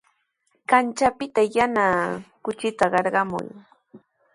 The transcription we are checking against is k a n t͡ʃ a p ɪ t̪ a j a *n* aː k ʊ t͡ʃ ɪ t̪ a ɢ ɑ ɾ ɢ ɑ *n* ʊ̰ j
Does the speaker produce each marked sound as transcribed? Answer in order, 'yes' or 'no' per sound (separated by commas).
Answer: yes, no